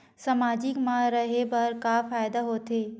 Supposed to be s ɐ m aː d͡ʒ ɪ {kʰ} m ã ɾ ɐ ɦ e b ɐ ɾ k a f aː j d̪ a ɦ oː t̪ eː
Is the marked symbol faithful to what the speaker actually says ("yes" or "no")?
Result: no